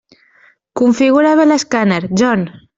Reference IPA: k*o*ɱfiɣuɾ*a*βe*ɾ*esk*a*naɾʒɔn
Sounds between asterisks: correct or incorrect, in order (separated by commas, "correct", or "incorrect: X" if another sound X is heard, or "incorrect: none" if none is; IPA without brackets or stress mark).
incorrect: u, correct, incorrect: l, correct